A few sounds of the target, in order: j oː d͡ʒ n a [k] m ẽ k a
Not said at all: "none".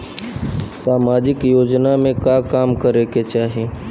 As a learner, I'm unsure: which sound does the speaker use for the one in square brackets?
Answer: none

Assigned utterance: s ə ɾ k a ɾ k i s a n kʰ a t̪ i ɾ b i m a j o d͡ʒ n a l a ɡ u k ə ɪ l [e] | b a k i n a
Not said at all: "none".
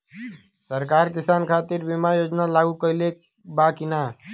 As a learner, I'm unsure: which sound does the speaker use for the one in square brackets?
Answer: e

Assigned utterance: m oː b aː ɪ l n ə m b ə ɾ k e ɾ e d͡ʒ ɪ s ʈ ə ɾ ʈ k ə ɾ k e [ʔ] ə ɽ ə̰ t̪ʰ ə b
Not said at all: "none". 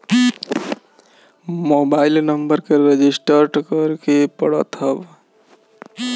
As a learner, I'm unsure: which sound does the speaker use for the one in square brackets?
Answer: p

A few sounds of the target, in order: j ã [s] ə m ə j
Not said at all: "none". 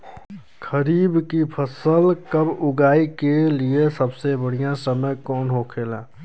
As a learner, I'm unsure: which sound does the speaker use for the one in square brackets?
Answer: s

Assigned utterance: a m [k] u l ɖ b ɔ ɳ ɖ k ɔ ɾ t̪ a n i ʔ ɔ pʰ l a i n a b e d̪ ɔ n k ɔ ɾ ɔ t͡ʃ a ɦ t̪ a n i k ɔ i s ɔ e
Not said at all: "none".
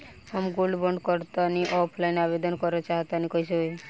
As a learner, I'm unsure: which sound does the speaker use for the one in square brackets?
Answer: ɡ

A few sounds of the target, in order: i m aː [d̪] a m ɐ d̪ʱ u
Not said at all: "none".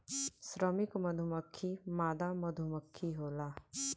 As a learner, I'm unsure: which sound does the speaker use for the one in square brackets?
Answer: d̪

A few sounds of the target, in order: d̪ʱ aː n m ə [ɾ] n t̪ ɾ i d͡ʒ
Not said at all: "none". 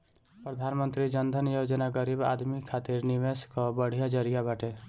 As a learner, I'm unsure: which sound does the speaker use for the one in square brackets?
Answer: none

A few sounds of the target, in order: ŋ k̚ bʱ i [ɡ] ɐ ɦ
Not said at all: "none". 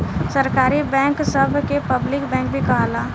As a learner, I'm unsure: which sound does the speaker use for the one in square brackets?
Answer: k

